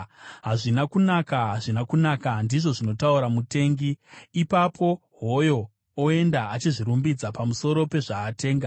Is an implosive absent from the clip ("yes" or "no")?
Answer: yes